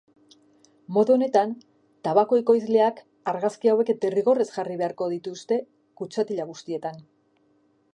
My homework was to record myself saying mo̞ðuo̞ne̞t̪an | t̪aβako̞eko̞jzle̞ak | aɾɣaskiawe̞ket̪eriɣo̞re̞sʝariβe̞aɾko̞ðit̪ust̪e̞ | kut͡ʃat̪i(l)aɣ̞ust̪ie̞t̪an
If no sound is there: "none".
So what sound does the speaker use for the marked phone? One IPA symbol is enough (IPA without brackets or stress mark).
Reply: ʎ